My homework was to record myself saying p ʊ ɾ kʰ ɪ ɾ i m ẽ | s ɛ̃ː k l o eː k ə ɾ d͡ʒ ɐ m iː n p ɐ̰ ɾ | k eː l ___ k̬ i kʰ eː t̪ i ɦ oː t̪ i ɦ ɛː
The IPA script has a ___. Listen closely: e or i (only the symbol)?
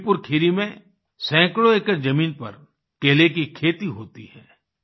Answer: e